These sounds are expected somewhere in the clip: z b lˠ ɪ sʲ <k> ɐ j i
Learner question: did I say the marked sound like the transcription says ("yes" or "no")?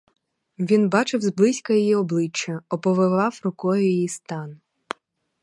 yes